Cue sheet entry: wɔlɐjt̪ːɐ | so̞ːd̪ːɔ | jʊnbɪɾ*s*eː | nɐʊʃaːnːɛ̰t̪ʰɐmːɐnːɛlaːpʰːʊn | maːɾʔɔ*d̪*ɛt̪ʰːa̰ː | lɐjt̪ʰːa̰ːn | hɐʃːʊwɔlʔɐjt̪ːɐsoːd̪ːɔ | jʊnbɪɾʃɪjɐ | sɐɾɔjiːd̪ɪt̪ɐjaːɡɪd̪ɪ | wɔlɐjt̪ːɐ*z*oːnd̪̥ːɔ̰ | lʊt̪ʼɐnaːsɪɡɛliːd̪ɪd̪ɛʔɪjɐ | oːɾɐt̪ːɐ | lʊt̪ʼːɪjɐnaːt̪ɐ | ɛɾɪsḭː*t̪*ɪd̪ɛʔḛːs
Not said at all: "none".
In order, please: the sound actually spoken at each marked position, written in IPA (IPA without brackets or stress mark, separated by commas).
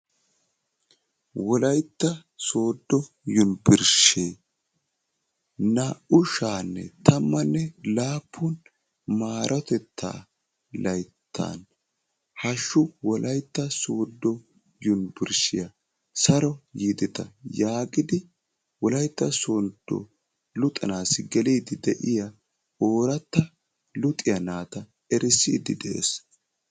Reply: ʃ, t̪, s, d̪